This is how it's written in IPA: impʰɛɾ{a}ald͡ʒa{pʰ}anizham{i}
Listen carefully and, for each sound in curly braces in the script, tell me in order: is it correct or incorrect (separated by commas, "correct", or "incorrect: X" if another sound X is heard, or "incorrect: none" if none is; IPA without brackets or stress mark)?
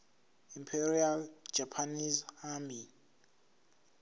incorrect: i, correct, correct